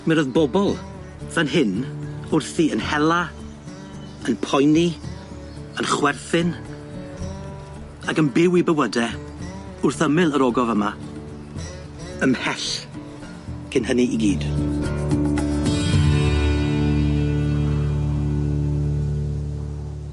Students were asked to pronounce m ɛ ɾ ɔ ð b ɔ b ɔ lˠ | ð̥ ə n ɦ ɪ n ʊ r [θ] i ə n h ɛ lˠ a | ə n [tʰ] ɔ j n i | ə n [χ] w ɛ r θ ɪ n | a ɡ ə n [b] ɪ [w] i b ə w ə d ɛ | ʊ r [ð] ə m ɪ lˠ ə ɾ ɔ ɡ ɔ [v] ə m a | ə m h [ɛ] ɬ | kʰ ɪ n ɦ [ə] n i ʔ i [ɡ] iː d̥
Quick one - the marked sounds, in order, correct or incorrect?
correct, incorrect, correct, correct, correct, incorrect, correct, correct, correct, correct

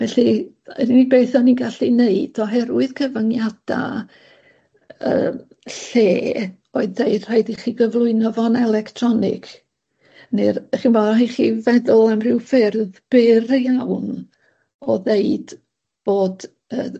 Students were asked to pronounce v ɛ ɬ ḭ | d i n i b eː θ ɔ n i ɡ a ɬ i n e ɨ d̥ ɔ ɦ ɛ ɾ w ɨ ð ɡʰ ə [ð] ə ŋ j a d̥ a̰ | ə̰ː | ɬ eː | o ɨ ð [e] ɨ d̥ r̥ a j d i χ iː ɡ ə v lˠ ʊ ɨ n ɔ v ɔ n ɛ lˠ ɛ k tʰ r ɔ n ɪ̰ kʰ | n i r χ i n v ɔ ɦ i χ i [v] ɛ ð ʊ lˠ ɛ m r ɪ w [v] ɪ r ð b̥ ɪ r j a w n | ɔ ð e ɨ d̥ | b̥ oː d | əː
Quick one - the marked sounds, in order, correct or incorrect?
incorrect, correct, correct, incorrect

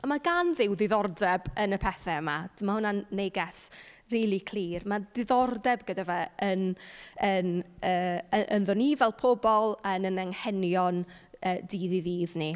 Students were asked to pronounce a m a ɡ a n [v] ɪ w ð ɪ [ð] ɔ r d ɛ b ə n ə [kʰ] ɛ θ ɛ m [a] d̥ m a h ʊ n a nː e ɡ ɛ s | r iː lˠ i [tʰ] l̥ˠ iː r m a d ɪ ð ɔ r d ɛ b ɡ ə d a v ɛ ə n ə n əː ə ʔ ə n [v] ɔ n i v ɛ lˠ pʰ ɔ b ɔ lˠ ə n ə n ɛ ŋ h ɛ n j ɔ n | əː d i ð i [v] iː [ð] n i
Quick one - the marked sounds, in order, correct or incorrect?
incorrect, correct, incorrect, correct, incorrect, incorrect, incorrect, correct

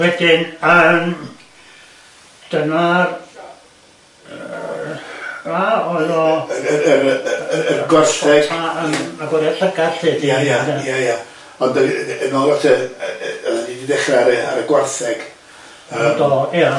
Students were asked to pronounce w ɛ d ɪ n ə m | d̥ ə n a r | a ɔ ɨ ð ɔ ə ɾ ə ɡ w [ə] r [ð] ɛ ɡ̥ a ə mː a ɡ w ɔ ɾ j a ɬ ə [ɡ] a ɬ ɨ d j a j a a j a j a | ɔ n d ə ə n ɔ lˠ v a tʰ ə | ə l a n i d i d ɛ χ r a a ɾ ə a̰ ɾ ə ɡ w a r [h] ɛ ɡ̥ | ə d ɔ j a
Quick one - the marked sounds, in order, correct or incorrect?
incorrect, incorrect, correct, incorrect

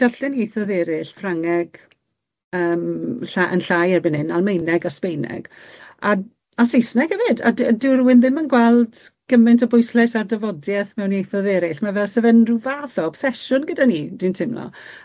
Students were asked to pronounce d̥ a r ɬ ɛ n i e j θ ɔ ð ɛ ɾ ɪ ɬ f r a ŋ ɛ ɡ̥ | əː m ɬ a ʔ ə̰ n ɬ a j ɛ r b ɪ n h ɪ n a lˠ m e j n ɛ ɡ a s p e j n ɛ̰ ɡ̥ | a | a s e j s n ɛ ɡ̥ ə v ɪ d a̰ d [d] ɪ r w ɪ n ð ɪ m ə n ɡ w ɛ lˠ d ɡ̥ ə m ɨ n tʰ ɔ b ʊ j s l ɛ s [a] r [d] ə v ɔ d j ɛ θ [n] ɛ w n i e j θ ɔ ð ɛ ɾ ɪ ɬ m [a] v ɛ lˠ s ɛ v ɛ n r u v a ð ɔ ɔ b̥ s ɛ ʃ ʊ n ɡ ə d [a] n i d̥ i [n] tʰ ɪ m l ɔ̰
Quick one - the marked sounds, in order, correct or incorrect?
correct, correct, correct, incorrect, correct, correct, correct

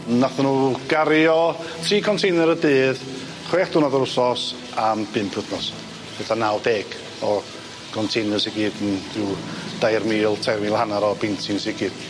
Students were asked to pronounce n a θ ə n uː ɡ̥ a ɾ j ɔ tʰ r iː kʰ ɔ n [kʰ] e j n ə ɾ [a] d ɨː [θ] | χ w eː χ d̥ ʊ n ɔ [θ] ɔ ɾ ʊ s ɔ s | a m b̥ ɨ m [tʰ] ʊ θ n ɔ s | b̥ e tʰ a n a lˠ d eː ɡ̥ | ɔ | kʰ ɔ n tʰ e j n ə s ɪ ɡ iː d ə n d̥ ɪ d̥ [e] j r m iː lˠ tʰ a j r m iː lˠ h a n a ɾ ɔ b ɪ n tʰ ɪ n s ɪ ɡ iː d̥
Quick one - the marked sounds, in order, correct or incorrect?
incorrect, incorrect, incorrect, incorrect, incorrect, incorrect

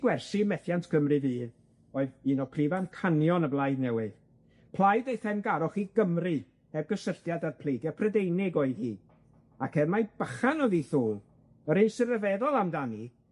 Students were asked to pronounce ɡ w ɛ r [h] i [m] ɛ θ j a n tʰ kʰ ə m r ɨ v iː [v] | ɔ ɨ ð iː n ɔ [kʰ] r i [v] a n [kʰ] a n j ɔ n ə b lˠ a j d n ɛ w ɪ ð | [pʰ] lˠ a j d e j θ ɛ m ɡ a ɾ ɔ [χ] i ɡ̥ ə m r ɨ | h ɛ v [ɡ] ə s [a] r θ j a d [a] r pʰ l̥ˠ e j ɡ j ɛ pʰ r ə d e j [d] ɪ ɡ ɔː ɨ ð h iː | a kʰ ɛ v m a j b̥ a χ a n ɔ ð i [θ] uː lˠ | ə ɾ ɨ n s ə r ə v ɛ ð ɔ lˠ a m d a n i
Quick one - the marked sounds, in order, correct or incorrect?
incorrect, correct, incorrect, incorrect, correct, correct, correct, correct, correct, incorrect, correct, incorrect, correct

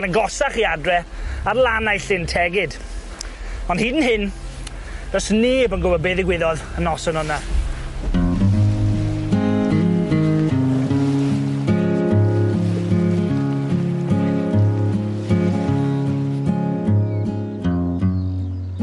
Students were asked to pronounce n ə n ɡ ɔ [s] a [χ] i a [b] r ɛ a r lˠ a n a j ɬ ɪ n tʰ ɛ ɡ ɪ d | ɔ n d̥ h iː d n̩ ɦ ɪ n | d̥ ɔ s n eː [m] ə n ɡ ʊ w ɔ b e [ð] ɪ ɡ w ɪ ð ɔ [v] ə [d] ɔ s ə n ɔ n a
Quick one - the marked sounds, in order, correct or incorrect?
correct, correct, incorrect, incorrect, correct, incorrect, incorrect

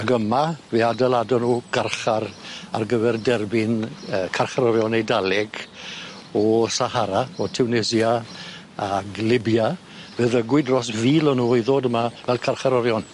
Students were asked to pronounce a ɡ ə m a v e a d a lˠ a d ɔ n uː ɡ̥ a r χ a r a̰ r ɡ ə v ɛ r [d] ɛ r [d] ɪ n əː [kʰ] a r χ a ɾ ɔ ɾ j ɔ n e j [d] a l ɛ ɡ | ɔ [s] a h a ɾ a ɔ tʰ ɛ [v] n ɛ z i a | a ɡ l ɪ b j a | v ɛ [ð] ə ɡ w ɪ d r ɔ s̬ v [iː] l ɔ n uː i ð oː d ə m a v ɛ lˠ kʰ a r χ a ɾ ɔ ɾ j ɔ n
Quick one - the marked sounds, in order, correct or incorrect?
correct, incorrect, correct, correct, correct, incorrect, correct, correct

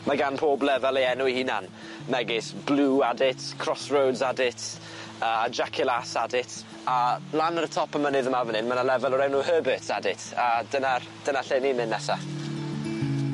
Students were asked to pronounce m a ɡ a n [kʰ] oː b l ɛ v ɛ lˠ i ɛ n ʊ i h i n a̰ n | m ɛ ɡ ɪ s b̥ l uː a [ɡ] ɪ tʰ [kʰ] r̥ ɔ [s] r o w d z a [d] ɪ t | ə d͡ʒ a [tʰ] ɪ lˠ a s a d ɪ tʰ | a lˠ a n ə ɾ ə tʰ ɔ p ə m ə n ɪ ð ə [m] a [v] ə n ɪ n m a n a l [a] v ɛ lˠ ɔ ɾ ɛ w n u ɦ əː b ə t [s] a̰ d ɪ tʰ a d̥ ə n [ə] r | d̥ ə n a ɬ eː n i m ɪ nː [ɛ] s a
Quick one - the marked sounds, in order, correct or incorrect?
incorrect, incorrect, correct, correct, correct, incorrect, correct, correct, incorrect, correct, incorrect, correct

